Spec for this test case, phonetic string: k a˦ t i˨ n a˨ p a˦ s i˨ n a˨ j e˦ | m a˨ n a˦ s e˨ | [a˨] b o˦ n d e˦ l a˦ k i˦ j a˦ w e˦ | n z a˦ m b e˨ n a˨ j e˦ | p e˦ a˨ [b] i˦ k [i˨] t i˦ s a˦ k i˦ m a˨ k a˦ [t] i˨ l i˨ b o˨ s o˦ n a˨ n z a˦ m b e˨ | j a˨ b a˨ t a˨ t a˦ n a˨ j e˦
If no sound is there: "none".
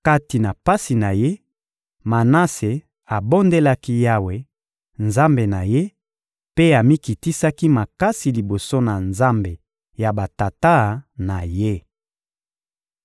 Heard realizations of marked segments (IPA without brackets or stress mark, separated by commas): a˨, m, i˨, s